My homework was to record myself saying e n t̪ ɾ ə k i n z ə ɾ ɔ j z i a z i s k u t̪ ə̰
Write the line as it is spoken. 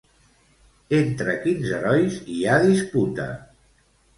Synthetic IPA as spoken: e n t̪ ɾ ə k i n z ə ɾ ɔ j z i a ð i s p u t̪ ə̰